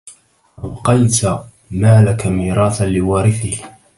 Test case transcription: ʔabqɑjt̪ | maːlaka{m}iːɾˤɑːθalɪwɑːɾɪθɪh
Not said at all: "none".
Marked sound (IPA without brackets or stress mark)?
m